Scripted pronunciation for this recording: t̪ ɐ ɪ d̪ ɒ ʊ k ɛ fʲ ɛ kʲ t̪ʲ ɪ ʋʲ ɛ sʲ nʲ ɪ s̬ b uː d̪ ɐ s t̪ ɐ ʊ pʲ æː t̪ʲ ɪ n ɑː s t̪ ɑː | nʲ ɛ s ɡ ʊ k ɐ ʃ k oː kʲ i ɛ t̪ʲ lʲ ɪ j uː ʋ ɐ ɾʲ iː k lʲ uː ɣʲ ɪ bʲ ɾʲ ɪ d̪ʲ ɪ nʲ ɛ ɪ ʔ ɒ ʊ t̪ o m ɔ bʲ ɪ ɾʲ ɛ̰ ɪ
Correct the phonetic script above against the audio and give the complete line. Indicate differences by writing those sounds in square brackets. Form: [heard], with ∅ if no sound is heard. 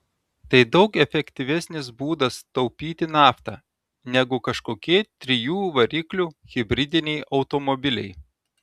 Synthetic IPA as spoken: t̪ ɐ ɪ d̪ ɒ ʊ k ɛ fʲ ɛ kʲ t̪ʲ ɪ ʋʲ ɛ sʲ nʲ ɪ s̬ b uː d̪ ɐ s t̪ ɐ ʊ pʲ [iː] t̪ʲ ɪ n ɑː [f] t̪ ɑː | nʲ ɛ [∅] ɡ ʊ k ɐ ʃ k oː kʲ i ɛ t̪ʲ [ɾʲ] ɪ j uː ʋ ɐ ɾʲ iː k lʲ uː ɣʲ ɪ bʲ ɾʲ ɪ d̪ʲ ɪ nʲ ɛ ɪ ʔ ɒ ʊ t̪ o m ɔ bʲ ɪ [lʲ] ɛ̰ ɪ